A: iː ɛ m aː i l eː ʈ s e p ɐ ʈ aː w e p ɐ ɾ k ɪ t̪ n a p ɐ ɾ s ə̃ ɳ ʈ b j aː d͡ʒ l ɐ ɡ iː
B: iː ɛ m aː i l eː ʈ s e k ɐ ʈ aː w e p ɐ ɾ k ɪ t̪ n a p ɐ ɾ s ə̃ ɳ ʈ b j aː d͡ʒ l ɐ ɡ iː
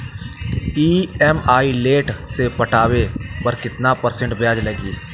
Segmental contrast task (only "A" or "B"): A